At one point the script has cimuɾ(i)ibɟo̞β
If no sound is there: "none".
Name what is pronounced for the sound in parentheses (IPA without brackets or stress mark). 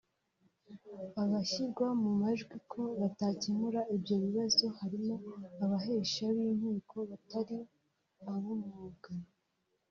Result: a